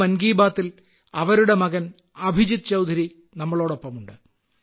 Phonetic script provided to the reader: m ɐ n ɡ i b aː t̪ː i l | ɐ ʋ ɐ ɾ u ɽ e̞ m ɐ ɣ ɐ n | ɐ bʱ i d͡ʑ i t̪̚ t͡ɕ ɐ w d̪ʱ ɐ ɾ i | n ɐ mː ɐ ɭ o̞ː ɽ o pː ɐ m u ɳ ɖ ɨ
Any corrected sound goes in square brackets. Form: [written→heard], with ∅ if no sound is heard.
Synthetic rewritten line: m ɐ n ɡ [i→iː] b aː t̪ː i l | ɐ ʋ ɐ ɾ u ɽ e̞ m ɐ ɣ ɐ n | ɐ bʱ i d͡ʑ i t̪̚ t͡ɕ ɐ w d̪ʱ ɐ ɾ i | n ɐ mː ɐ ɭ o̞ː ɽ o pː ɐ m u ɳ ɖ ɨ